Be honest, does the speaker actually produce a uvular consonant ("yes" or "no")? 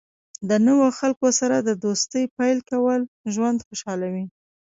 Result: no